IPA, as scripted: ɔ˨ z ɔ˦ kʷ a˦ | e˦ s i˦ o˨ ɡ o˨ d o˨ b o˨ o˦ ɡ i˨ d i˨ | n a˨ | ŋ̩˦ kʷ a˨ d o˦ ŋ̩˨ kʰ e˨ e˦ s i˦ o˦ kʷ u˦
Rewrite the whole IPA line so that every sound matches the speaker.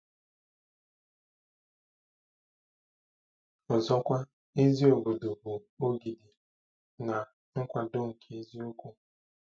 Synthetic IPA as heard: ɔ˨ z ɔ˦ kʷ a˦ | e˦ z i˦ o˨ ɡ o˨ d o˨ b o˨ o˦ ɡ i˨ d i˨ | n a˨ | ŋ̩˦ kʷ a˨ d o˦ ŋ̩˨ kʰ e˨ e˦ z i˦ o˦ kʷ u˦